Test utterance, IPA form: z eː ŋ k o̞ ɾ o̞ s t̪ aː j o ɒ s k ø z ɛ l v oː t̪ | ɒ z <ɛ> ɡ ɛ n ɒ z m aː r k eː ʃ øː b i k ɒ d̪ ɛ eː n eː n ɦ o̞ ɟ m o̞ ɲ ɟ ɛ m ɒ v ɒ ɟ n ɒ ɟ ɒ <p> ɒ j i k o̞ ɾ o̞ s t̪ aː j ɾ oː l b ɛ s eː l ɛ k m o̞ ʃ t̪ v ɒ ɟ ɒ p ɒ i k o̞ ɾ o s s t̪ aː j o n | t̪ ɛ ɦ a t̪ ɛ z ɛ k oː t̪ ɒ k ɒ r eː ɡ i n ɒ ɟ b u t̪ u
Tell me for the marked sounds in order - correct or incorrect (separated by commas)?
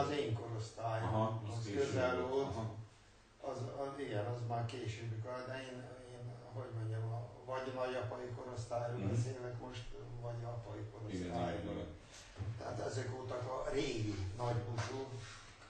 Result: incorrect, correct